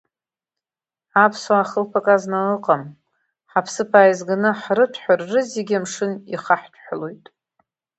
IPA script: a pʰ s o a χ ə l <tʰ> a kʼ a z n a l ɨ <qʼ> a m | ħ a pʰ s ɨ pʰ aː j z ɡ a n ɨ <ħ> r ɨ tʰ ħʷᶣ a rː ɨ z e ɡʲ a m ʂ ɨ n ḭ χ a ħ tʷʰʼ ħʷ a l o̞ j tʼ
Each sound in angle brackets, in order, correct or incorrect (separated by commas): incorrect, correct, correct